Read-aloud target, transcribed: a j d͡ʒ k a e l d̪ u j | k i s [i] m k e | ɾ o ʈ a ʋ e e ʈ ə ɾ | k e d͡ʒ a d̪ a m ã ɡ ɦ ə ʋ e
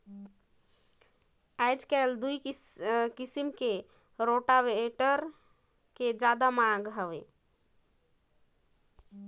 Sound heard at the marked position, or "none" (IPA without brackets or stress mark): i